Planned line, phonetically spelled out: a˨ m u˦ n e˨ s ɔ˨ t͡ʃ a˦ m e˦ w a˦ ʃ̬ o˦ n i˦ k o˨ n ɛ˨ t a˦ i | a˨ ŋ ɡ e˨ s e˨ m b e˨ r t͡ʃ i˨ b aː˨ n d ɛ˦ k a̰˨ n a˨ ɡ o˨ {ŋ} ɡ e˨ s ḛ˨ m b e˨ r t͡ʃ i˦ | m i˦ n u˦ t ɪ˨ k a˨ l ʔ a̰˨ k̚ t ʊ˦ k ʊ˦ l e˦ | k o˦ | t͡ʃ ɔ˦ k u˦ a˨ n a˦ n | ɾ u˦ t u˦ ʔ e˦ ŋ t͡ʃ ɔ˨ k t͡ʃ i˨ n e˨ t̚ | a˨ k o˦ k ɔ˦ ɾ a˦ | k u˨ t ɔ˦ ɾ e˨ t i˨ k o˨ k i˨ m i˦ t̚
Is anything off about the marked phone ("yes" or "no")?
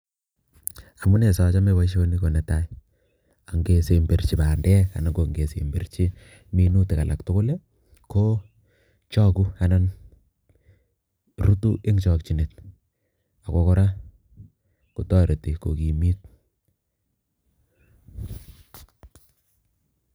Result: no